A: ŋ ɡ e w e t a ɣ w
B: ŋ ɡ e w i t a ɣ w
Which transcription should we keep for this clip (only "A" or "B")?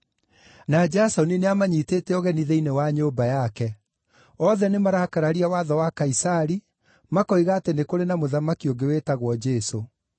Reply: A